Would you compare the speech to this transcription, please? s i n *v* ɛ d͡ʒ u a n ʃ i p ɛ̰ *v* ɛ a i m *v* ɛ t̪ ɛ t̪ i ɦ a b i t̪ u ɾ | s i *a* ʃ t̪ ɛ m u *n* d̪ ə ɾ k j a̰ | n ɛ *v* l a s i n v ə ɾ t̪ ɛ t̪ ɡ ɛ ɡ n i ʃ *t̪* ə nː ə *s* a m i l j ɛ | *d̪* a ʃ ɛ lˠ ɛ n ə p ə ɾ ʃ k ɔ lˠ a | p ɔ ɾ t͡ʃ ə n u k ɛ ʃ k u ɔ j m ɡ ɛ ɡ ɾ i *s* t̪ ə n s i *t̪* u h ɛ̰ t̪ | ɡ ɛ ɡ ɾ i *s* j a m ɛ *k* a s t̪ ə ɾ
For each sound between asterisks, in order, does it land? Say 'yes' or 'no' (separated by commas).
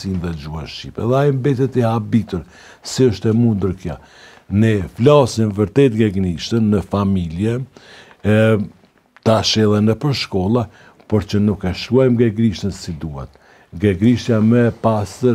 no, no, no, no, yes, no, yes, no, no, no, no, no, no